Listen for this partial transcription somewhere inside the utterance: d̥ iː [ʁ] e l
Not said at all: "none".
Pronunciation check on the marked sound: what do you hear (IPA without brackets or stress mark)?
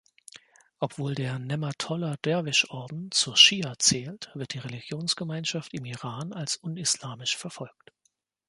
ʁ